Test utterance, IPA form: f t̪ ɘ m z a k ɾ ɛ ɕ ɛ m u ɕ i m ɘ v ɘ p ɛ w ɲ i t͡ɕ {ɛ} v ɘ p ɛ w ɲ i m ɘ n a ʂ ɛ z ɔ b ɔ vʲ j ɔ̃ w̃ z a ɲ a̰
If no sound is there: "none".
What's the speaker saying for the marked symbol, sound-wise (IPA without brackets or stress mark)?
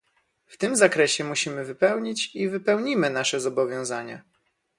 i